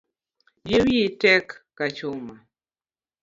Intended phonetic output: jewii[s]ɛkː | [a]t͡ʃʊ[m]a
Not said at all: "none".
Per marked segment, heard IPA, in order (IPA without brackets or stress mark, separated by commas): t, a, m